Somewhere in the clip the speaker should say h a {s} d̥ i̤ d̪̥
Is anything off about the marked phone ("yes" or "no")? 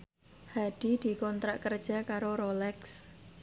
yes